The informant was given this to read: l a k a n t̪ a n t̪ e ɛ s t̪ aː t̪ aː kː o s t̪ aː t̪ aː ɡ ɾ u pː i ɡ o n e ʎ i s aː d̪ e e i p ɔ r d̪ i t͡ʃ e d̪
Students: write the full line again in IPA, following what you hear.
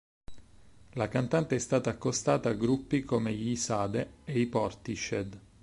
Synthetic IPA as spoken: l a k a n t̪ a n t̪ e ɛ s t̪ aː t̪ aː kː o s t̪ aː t̪ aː ɡ ɾ u pː i k o m e ʎ i s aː d̪ e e i p ɔ r t̪ i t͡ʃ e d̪